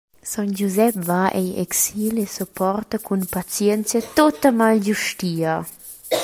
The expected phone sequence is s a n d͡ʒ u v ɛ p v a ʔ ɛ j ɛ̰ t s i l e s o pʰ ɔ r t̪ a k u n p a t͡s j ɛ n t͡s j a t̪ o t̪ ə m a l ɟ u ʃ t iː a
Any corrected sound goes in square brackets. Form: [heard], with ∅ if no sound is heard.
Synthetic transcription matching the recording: s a n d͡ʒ u [z] ɛ p v a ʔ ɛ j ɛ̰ [k] s i l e s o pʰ ɔ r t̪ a k u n p a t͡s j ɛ n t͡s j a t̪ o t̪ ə m a l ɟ u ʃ t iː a